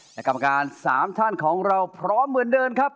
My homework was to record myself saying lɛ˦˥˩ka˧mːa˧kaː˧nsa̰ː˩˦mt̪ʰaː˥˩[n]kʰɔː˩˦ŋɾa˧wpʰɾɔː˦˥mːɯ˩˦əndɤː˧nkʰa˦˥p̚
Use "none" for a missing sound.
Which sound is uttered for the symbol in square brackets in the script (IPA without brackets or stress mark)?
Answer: n